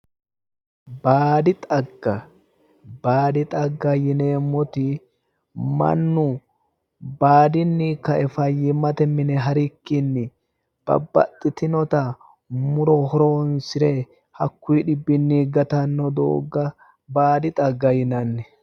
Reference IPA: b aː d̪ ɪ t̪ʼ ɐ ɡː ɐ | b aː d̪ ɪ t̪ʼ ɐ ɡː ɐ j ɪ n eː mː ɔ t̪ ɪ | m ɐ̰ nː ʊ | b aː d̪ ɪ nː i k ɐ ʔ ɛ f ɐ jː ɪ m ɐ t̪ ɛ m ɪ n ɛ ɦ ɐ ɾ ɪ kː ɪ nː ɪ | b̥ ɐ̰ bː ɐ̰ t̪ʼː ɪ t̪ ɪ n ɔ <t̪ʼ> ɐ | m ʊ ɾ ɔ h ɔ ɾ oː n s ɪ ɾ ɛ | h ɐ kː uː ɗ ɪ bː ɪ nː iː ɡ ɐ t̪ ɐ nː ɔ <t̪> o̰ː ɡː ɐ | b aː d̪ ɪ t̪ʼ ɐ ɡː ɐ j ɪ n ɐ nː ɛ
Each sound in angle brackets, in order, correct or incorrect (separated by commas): incorrect, incorrect